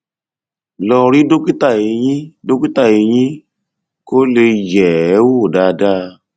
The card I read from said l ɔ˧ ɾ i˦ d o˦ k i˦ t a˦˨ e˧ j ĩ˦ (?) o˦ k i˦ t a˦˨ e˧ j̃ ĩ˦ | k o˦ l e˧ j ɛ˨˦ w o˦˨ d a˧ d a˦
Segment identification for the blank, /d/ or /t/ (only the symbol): d